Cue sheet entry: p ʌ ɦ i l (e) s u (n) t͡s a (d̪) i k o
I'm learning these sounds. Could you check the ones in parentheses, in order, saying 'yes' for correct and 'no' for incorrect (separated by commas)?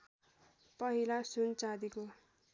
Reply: no, yes, yes